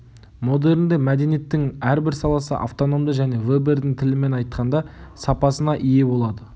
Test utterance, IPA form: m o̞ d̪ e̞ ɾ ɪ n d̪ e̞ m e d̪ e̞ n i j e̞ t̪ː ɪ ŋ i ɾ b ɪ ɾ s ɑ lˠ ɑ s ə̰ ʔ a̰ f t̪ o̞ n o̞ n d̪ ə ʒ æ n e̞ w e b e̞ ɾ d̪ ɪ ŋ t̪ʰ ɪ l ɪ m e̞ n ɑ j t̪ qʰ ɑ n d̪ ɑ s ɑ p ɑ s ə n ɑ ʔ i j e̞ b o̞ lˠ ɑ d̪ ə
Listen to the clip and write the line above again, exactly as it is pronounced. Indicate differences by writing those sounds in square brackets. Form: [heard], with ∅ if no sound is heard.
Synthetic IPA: m o̞ d̪ e̞ ɾ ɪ n d̪ e̞ m [æ] d̪ e̞ n i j e̞ t̪ː ɪ ŋ [æ] ɾ b ɪ ɾ s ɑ lˠ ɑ s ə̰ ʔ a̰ f t̪ o̞ n o̞ [m] d̪ ə ʒ æ n e̞ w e b e̞ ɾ d̪ ɪ ŋ t̪ʰ ɪ l ɪ m e̞ n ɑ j t̪ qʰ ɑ n d̪ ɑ s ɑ p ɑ s ə n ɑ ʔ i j e̞ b o̞ lˠ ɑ d̪ ə